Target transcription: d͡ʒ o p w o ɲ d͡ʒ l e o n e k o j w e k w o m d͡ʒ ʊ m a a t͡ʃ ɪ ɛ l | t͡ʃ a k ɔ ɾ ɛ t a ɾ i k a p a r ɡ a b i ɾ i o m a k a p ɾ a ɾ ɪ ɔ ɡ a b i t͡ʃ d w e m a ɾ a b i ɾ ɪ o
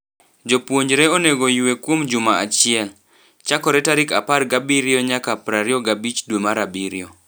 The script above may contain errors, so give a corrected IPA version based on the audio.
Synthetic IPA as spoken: d͡ʒ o p w o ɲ d͡ʒ ɾ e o n e ɡ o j w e k w o m d͡ʒ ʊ m a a t͡ʃ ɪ ɛ l | t͡ʃ a k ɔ ɾ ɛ t a ɾ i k a p a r ɡ a b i ɾ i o ɲ a k a p ɾ a ɾ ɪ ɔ ɡ a b i t͡ʃ d w e m a ɾ a b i ɾ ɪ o

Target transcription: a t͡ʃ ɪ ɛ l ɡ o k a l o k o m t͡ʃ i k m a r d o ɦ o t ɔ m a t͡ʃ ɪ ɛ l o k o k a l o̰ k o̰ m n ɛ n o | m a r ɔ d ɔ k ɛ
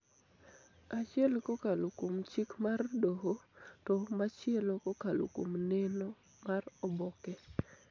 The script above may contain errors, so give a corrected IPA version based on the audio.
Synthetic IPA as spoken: a t͡ʃ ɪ ɛ l k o k a l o k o m t͡ʃ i k m a r d o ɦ o t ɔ m a t͡ʃ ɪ ɛ l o k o k a l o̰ k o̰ m n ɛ n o | m a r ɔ b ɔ k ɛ

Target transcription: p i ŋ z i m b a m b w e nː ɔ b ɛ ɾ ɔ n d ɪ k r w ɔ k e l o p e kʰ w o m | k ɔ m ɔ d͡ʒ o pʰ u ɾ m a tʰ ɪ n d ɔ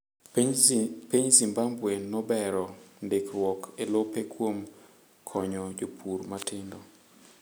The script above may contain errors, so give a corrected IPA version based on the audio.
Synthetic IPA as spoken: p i ɲ z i m b a m b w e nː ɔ b ɛ ɾ ɔ n d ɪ k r w ɔ k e l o p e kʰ w o m | kʰ ɔ ɲ ɔ d͡ʒ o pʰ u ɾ m a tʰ ɪ n d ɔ

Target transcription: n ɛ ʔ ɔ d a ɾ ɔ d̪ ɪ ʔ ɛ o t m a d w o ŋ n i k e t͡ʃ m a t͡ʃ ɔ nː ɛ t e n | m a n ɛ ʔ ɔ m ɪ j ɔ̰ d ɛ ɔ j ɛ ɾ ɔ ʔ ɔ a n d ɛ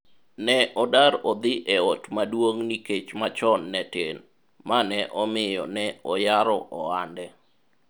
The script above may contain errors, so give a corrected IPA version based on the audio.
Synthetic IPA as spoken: n ɛ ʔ ɔ d a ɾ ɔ d̪ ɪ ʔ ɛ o t m a d w o ŋ n i k e t͡ʃ m a t͡ʃ ɔ nː ɛ t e n | m a n ɛ ʔ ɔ m ɪ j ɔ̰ n ɛ ɔ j a ɾ ɔ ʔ ɔ a n d ɛ

